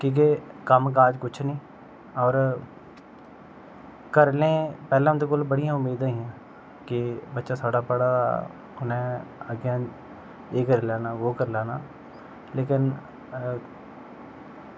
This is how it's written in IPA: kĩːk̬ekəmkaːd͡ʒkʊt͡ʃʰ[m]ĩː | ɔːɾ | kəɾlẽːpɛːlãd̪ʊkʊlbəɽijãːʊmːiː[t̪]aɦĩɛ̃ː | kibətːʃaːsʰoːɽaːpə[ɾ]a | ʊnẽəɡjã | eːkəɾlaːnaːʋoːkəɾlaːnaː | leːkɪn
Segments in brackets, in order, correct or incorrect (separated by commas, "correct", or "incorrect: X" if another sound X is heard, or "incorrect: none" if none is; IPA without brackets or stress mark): incorrect: n, incorrect: d̪, incorrect: ɽ